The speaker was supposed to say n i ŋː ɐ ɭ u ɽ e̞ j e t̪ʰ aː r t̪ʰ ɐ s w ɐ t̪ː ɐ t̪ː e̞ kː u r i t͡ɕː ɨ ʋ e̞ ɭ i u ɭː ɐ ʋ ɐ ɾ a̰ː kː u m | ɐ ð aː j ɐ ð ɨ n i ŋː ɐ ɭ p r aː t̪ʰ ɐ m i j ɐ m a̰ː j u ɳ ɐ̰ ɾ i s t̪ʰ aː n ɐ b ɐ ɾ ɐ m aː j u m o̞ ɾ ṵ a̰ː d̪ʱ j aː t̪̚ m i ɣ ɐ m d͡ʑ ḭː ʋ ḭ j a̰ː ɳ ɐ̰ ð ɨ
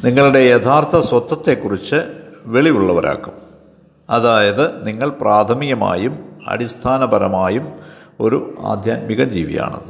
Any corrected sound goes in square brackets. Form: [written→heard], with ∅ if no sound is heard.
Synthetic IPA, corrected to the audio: n i ŋː ɐ ɭ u ɽ e̞ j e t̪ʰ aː r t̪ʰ ɐ s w ɐ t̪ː ɐ t̪ː e̞ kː u r i t͡ɕː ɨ ʋ e̞ ɭ i u ɭː ɐ ʋ ɐ ɾ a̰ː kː u m | ɐ ð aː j ɐ ð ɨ n i ŋː ɐ ɭ p r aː t̪ʰ ɐ m i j ɐ m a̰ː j u [ɳ→m] ɐ̰ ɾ i s t̪ʰ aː n ɐ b ɐ ɾ ɐ m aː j u m o̞ ɾ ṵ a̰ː d̪ʱ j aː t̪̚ m i ɣ ɐ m d͡ʑ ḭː ʋ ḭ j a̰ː ɳ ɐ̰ ð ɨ